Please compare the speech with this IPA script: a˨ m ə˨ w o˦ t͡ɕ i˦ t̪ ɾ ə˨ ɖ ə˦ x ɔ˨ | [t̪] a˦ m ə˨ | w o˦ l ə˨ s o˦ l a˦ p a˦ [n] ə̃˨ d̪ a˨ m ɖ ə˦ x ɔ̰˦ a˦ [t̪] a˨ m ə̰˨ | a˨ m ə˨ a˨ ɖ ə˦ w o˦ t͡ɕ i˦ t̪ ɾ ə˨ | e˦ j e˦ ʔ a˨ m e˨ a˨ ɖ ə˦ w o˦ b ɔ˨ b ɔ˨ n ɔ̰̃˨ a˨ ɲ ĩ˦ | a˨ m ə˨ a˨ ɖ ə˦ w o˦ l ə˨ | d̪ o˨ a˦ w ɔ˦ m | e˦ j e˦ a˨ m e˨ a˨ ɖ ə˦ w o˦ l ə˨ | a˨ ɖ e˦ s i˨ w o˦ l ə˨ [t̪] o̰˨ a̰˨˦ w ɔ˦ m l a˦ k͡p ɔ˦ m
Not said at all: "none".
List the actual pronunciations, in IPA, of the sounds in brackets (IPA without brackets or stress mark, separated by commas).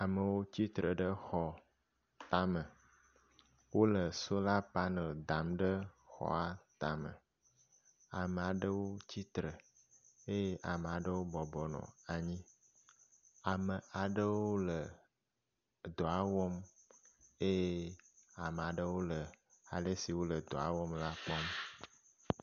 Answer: t̪, n, t̪, d̪